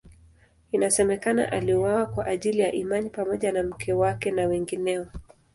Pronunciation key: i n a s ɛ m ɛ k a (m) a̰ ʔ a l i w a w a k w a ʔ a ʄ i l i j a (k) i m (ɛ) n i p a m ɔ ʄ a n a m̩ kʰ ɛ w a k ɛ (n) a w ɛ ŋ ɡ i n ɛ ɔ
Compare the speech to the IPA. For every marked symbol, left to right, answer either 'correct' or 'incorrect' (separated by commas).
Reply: incorrect, incorrect, incorrect, correct